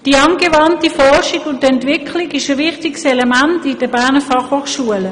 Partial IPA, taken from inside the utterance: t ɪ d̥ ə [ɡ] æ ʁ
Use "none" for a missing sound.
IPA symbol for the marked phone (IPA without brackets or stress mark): b